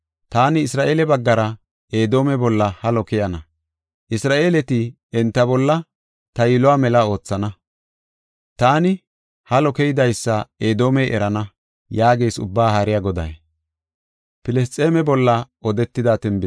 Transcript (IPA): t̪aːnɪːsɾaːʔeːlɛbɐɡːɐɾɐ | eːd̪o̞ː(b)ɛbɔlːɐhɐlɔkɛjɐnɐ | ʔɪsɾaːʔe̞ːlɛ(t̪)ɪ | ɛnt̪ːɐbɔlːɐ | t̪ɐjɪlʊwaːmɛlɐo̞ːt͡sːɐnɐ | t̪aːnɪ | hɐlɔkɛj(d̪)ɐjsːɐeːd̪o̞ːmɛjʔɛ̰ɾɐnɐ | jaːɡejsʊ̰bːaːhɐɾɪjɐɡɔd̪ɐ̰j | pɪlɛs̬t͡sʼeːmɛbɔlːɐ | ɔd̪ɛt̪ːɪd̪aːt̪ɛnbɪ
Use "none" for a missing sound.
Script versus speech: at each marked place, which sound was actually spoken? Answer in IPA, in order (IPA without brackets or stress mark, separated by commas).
m, t̪, d̪